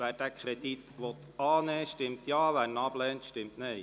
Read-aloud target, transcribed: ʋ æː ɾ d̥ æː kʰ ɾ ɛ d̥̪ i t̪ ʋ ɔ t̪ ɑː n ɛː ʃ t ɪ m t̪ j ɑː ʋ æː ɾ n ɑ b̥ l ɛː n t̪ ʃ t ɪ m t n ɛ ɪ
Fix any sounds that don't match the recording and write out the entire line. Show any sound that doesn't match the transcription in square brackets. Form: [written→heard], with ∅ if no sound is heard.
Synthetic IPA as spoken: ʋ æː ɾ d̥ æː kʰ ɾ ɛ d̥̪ i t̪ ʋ ɔ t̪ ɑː n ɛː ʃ t ɪ m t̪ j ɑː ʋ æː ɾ n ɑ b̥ l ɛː n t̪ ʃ t ɪ m t n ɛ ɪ